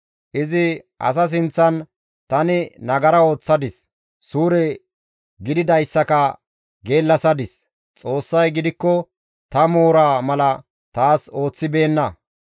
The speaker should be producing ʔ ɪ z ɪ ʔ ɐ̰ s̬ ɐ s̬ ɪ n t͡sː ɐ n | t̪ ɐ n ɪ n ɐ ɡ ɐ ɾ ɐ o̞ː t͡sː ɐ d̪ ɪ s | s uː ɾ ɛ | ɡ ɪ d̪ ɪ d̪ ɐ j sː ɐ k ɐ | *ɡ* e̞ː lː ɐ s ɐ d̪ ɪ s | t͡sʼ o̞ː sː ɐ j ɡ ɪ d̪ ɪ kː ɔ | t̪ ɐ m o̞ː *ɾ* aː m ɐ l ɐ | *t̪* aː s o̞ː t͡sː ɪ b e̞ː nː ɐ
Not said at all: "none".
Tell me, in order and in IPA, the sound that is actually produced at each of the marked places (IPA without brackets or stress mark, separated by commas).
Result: ɡ, ɾ, t̪